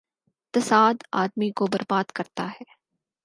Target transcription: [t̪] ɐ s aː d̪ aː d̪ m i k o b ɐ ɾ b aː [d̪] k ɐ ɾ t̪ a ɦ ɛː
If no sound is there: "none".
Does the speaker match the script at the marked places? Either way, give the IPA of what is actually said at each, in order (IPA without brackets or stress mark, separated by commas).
t̪, d̪